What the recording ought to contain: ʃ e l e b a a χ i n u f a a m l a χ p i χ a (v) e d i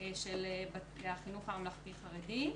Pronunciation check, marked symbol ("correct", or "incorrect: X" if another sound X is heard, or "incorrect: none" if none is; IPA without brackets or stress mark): incorrect: ʁ